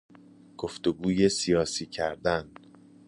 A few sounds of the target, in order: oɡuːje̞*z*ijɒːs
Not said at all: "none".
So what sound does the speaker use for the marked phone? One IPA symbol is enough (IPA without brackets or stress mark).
s